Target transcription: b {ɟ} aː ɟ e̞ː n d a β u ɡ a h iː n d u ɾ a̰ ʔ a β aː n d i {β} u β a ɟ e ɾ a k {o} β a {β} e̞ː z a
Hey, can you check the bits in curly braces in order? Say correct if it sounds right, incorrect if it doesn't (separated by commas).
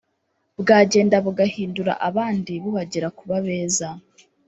incorrect, correct, incorrect, correct